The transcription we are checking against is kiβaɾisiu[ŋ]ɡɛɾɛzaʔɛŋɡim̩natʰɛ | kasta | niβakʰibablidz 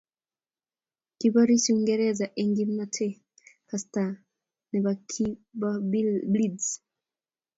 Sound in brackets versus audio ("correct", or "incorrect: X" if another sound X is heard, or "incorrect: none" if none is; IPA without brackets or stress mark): correct